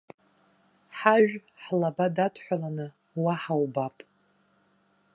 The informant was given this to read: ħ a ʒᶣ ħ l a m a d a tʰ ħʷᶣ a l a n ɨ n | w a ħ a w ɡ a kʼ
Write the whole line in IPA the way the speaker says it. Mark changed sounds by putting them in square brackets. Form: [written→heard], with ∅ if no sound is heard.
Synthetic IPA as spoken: ħ a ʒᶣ ħ l a [m→b] a d a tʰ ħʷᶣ a l a n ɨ [n→∅] | w a ħ a w [ɡ→b] a [kʼ→pʼ]